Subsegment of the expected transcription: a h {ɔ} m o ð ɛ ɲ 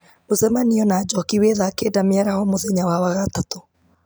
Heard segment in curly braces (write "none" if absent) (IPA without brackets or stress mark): ɔ